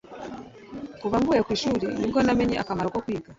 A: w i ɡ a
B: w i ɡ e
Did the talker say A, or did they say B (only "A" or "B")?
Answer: A